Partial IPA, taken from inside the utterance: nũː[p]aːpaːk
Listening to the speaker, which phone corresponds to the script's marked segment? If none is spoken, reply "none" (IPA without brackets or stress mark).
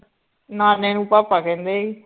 p